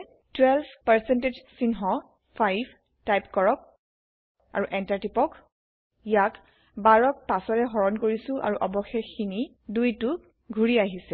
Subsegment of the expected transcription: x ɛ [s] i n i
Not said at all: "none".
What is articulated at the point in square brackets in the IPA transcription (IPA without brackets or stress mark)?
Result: x